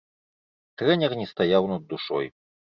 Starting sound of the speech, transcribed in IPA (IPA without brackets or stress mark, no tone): t̪